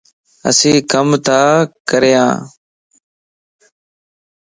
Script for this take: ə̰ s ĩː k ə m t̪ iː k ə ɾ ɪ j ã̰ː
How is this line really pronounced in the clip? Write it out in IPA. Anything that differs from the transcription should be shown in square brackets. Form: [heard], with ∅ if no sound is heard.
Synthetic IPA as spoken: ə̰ s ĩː k ə m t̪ [aː] k ə ɾ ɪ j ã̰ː